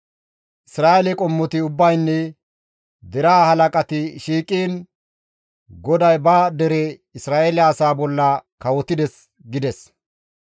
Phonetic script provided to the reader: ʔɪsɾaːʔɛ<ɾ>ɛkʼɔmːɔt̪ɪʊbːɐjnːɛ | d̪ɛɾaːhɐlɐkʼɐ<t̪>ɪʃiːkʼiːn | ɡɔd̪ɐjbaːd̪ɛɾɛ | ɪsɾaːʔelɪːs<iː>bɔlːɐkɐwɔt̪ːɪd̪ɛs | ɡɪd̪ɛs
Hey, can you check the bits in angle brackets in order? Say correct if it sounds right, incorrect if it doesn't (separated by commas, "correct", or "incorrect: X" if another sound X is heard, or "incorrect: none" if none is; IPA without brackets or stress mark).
incorrect: l, correct, incorrect: aː